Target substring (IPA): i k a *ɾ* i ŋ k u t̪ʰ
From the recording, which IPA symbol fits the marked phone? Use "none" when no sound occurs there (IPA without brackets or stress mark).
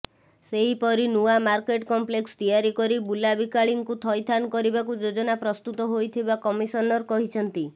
ɭ